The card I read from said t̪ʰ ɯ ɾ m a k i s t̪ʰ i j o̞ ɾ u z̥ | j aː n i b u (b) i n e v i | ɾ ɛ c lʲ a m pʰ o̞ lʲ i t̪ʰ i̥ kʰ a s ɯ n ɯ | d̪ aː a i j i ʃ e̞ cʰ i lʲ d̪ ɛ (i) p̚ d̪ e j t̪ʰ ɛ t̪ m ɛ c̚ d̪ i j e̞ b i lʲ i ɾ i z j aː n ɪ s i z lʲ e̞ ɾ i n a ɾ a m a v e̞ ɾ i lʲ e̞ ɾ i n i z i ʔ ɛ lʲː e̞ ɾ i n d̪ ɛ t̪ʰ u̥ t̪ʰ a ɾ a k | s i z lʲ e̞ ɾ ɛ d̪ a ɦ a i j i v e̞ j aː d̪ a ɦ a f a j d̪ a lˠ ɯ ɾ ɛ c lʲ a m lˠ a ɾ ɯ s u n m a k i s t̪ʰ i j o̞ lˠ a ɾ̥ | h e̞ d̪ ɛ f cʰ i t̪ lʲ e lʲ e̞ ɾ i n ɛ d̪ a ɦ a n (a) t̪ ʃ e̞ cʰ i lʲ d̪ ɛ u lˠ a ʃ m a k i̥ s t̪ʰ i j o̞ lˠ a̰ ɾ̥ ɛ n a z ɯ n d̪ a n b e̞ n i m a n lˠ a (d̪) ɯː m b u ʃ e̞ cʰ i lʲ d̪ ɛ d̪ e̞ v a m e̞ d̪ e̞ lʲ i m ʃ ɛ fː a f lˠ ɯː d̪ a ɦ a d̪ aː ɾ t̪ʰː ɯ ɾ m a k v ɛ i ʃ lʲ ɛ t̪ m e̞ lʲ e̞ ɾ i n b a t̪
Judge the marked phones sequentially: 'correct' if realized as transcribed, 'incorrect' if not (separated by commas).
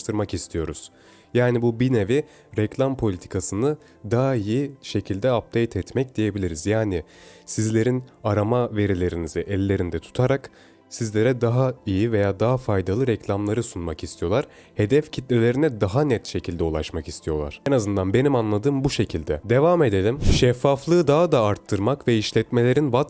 correct, incorrect, incorrect, correct